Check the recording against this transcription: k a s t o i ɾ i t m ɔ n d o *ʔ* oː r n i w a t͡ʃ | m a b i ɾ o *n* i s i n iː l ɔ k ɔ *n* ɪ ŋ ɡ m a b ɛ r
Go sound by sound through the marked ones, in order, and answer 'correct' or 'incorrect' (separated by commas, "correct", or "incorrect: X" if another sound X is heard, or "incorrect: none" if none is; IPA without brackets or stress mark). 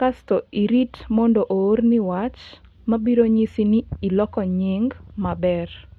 correct, incorrect: ɲ, incorrect: ɲ